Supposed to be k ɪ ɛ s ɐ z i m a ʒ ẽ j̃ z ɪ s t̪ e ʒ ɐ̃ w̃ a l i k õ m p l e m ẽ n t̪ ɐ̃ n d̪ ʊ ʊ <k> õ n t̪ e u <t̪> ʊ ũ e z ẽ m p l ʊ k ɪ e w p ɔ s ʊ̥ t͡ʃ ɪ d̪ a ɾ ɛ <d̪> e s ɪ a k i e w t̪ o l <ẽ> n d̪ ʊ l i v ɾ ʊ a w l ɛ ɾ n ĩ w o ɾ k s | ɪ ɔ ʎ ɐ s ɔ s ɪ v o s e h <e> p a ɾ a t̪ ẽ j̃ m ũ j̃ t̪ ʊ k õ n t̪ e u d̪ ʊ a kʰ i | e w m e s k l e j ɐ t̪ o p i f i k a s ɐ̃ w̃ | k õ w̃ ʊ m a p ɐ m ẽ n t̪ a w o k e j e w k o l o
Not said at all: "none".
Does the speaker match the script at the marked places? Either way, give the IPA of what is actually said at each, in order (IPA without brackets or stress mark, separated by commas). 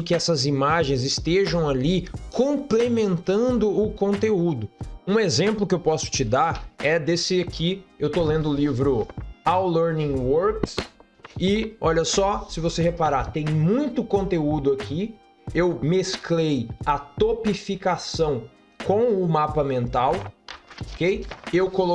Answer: k, d̪, d̪, ẽ, e